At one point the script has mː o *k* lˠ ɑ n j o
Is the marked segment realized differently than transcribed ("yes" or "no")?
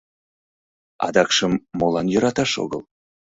yes